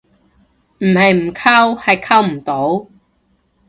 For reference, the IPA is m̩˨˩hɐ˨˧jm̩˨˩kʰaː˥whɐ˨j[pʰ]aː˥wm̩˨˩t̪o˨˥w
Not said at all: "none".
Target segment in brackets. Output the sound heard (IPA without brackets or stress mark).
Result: kʰ